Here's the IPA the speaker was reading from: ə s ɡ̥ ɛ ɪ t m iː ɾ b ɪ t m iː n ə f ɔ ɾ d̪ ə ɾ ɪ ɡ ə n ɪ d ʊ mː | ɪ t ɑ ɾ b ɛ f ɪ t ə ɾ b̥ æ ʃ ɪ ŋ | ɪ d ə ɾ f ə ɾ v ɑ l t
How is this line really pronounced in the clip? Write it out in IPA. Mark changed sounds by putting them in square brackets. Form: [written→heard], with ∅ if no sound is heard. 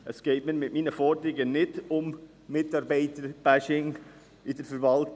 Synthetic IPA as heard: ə s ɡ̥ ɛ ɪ t m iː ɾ [b→m] ɪ t m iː n ə f ɔ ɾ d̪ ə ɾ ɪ ɡ ə n ɪ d ʊ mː | ɪ t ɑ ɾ b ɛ [f→∅] ɪ t ə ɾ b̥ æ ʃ ɪ ŋ | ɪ d ə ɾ f ə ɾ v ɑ l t